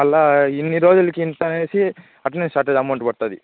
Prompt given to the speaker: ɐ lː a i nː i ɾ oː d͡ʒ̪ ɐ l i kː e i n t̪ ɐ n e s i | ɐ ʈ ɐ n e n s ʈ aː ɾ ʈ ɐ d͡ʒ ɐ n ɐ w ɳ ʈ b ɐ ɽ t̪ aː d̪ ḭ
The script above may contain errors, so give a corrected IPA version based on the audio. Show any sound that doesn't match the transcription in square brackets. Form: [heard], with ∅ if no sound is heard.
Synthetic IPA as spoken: ɐ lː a i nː i ɾ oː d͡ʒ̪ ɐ l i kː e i n t̪ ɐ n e s i | ɐ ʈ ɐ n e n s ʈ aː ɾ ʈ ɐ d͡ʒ ɐ [m] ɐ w ɳ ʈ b ɐ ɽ t̪ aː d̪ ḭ